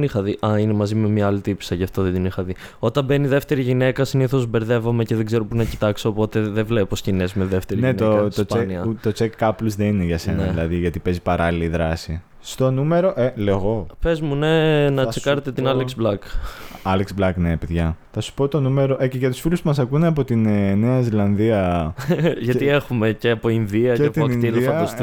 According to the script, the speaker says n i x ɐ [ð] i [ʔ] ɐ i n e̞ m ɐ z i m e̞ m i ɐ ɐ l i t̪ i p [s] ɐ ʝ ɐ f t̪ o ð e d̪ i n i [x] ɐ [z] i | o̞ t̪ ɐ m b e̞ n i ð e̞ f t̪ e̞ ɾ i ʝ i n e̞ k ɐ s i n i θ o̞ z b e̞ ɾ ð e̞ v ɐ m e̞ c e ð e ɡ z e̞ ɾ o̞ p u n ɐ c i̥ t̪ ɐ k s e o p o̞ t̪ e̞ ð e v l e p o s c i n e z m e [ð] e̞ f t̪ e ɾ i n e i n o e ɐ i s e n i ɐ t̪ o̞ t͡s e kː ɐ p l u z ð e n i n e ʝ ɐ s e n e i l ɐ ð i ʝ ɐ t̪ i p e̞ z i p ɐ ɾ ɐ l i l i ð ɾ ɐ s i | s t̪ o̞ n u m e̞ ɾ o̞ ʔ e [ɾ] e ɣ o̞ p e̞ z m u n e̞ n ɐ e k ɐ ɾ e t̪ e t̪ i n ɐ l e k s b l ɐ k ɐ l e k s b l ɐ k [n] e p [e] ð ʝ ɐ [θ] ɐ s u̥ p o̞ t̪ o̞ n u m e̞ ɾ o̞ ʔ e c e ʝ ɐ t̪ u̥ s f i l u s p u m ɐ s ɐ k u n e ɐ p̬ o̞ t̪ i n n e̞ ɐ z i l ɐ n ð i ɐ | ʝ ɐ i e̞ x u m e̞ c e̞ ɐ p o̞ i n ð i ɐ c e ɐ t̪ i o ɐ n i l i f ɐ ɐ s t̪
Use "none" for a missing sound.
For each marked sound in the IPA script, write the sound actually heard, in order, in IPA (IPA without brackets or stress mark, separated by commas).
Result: ð, ʔ, s, x, ð, ð, l, n, e, θ